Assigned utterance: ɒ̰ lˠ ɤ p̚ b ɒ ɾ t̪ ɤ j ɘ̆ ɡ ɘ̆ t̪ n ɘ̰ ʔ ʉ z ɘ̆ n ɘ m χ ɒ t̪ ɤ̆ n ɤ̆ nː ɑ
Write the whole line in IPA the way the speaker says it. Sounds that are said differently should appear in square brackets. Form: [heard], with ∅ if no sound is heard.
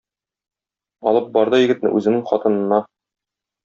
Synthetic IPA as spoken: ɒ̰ lˠ ɤ p̚ b ɒ ɾ [d̪] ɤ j ɘ̆ ɡ ɘ̆ t̪ n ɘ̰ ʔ ʉ z ɘ̆ n ɘ [ŋ] χ ɒ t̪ ɤ̆ n ɤ̆ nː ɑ